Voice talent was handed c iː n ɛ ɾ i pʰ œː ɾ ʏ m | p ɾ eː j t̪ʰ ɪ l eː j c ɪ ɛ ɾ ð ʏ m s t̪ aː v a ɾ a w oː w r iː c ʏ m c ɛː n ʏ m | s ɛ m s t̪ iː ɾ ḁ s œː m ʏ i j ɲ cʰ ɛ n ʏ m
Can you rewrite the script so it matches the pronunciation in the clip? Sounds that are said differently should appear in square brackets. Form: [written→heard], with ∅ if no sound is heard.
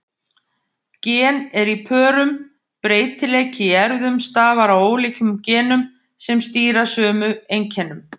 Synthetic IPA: c [iː→ɛː] n ɛ ɾ i pʰ œː ɾ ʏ m | p ɾ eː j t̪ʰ ɪ l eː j c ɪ ɛ ɾ ð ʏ m s t̪ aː v a ɾ a w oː w [r→l] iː c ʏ m c ɛː n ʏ m | s ɛ m s t̪ iː ɾ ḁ s œː m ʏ [i→e] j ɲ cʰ ɛ n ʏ m